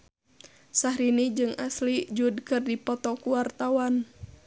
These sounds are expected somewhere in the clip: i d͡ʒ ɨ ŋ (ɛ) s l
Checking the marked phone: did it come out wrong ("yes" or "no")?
yes